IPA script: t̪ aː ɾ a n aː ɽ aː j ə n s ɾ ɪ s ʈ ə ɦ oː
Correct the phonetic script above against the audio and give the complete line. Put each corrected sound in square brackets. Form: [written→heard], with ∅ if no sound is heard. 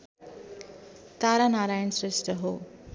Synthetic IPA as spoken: t̪ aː ɾ a n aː [ɽ→ɾ] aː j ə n s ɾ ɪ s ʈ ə ɦ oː